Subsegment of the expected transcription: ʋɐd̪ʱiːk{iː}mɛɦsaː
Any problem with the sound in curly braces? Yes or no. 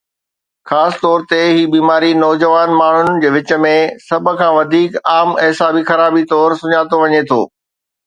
yes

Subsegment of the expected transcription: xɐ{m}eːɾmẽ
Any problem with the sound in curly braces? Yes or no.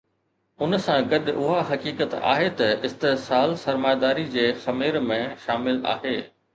no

